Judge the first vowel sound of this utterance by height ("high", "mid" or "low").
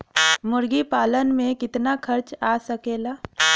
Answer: high